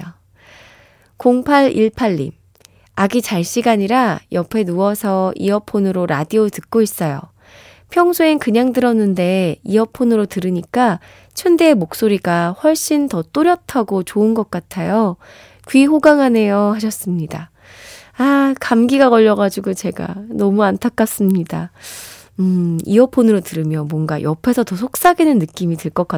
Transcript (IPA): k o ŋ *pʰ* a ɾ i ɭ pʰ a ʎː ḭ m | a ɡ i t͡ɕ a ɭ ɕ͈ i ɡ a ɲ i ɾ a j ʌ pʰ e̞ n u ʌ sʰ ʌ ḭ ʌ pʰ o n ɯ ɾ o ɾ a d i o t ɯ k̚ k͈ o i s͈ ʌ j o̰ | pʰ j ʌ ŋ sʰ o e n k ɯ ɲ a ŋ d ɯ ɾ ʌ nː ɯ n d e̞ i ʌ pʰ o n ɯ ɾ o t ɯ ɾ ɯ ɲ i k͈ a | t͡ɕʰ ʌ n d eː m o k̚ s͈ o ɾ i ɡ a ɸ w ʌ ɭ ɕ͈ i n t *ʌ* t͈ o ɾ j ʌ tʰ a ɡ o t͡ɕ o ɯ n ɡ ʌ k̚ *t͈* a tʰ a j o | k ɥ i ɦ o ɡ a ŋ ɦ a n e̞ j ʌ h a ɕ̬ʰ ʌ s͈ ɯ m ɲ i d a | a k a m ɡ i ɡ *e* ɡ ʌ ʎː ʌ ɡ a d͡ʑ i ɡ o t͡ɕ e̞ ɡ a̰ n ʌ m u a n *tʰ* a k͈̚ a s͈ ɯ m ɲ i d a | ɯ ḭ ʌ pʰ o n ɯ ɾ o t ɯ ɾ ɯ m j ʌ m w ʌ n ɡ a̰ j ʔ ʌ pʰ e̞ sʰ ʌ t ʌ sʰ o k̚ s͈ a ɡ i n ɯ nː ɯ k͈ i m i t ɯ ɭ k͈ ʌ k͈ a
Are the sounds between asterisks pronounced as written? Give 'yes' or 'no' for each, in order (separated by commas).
yes, yes, no, no, yes